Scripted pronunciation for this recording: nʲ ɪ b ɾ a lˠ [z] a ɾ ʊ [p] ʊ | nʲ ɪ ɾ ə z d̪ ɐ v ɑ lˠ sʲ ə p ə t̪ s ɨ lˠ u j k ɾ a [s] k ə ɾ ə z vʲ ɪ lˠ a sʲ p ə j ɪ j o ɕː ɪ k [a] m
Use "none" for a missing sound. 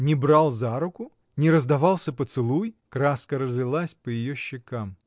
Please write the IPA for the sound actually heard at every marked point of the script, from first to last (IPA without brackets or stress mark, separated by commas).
z, k, s, a